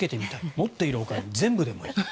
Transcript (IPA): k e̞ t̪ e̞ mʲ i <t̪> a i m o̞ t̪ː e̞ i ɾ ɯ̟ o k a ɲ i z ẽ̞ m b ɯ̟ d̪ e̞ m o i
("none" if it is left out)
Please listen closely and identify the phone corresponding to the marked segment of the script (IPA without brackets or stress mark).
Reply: t̪